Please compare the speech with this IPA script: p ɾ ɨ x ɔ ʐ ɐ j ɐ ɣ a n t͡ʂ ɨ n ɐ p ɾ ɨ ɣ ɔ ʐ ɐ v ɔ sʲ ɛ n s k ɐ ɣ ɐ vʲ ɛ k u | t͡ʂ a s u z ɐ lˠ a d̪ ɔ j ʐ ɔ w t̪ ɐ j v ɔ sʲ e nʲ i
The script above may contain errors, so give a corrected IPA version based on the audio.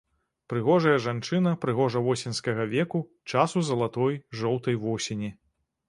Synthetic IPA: p ɾ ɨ ɣ ɔ ʐ ɐ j ɐ ʐ a n t͡ʂ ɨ n ɐ p ɾ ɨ ɣ ɔ ʐ ɐ v ɔ sʲ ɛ n s k ɐ ɣ ɐ vʲ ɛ k u | t͡ʂ a s u z ɐ lˠ a t̪ ɔ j ʐ ɔ w t̪ ɐ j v ɔ sʲ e nʲ i